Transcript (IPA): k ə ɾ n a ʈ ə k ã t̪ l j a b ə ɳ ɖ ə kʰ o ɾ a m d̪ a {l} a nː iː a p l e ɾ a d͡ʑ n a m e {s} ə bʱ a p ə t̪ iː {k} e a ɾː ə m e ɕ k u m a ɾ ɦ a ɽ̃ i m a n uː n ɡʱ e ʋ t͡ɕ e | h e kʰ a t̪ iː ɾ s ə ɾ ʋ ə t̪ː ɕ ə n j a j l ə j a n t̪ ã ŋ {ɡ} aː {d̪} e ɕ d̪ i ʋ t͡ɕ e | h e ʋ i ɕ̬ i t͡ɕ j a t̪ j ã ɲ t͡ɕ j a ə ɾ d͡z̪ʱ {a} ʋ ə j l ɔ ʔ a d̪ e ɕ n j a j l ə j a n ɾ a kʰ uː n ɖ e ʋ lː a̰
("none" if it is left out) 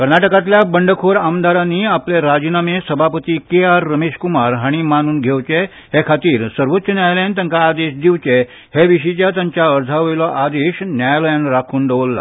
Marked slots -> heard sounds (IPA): ɾ, s, k, k, d̪, a

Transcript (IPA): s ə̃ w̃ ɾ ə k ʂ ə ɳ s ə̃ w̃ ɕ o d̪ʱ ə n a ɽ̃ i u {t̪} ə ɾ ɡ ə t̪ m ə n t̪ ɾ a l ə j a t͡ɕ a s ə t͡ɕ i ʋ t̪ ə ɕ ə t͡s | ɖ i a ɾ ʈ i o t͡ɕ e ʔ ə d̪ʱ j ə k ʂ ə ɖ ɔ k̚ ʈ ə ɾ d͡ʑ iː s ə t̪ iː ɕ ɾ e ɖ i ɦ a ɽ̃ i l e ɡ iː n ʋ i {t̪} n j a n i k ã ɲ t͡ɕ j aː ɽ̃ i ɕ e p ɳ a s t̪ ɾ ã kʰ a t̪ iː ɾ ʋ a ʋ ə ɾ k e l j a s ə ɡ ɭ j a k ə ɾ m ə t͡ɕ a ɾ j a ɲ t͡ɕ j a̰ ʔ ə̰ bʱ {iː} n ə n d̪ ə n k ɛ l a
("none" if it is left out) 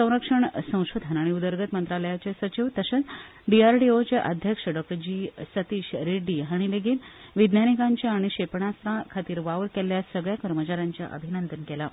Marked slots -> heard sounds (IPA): d̪, d̪, i

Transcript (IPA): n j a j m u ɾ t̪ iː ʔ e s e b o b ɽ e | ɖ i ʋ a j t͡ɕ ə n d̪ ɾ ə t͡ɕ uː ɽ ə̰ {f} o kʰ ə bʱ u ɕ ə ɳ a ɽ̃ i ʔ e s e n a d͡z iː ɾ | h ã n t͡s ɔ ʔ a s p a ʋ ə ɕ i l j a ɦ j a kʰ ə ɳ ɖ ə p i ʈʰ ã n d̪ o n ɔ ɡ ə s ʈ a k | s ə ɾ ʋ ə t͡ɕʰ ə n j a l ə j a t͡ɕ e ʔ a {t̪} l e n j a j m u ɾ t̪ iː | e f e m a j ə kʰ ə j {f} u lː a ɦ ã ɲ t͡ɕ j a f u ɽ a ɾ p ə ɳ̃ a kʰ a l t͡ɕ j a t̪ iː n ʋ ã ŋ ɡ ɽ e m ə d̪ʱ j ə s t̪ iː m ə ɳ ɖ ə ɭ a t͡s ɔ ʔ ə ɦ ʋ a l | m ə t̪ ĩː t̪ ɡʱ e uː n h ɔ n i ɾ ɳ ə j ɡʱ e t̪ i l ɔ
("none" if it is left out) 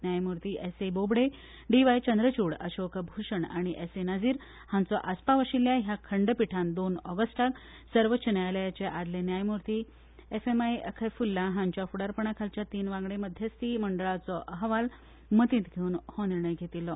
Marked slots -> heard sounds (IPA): ɕ, d̪, f

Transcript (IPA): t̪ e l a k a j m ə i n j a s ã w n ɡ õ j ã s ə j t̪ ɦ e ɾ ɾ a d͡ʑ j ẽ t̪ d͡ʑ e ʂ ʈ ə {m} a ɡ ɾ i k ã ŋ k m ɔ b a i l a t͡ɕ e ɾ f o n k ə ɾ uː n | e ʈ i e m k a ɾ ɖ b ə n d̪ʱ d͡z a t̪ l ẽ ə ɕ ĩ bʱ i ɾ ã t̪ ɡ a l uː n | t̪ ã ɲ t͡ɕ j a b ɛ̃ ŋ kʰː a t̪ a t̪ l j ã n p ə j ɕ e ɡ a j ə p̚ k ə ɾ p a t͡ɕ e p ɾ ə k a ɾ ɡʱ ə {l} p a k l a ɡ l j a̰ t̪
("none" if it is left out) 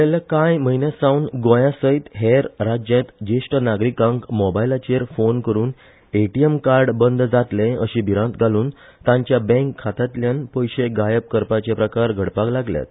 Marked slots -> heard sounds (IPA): n, ɽ

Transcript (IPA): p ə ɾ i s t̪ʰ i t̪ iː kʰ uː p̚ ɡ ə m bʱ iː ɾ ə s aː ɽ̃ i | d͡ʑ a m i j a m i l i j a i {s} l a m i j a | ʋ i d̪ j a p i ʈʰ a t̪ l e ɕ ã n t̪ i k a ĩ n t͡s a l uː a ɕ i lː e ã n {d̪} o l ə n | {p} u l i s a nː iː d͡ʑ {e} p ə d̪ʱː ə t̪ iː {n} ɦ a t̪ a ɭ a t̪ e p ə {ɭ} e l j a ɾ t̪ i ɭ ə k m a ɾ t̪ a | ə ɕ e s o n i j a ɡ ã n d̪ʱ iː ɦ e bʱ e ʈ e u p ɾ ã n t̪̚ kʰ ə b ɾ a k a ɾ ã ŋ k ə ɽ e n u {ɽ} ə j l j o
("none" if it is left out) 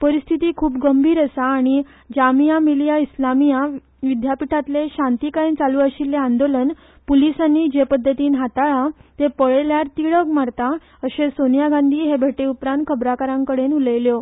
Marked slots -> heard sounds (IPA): s, d̪, p, e, n, ɭ, l

